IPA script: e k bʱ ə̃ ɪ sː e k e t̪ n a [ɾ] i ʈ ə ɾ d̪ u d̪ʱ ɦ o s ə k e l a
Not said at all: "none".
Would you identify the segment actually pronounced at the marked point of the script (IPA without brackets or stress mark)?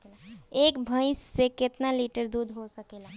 l